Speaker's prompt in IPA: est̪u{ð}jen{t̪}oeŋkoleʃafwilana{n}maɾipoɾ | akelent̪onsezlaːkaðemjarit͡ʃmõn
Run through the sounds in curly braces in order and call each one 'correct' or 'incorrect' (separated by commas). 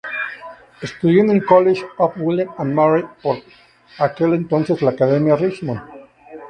correct, incorrect, correct